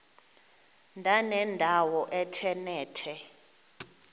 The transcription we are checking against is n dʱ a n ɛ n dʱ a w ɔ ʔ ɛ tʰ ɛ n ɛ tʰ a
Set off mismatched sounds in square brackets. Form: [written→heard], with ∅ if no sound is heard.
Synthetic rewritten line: n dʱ a n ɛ n dʱ a w ɔ ʔ ɛ tʰ ɛ n [ɛ→ɛː] tʰ [a→ɛ]